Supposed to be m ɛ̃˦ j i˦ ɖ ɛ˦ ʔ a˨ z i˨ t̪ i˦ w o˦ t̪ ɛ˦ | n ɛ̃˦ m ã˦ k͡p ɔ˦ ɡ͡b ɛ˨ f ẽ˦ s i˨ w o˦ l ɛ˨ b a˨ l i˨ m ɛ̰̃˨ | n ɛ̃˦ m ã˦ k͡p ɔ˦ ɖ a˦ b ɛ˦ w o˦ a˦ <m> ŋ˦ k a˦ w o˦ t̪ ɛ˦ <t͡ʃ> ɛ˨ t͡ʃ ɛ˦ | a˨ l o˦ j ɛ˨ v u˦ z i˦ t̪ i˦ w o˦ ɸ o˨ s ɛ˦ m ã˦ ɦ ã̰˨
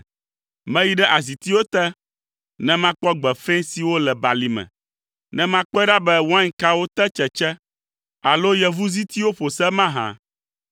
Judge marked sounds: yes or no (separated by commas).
no, yes